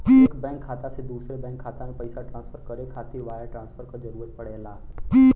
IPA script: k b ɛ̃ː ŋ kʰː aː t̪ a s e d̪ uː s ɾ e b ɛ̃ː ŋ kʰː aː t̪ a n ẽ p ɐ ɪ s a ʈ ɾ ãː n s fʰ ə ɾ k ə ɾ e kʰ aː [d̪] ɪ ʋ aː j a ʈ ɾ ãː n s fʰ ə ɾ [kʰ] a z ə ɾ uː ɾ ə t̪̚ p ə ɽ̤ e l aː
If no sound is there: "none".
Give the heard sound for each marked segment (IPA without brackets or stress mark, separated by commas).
t̪, k